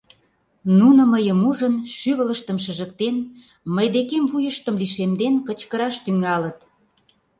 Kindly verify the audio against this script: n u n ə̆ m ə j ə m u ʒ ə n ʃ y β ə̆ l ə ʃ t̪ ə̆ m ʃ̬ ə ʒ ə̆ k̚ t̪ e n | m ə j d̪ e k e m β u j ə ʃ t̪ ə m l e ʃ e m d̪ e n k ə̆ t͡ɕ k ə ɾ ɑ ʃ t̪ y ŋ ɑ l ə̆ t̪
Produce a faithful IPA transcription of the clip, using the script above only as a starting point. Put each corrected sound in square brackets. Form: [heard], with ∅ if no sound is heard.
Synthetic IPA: n u n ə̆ m ə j ə m u ʒ ə n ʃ y β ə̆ l ə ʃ t̪ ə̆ m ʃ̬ ə ʒ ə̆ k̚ t̪ e n | m ə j d̪ e k e m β u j ə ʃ t̪ ə m l [i] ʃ e m d̪ e n k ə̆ t͡ɕ k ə ɾ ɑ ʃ t̪ y ŋ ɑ l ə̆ t̪